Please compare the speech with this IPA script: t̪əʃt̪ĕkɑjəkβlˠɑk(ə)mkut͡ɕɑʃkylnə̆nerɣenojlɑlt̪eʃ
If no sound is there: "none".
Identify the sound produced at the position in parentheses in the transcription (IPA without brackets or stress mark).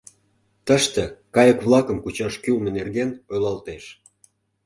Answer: ə